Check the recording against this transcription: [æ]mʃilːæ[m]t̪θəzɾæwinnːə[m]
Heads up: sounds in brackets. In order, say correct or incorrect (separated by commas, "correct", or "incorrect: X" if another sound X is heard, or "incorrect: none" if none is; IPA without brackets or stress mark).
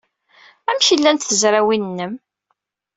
correct, incorrect: n, correct